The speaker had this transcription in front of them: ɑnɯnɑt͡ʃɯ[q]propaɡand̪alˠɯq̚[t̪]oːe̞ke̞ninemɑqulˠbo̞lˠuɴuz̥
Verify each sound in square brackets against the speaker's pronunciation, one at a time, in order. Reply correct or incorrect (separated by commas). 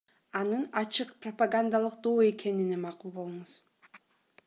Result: correct, incorrect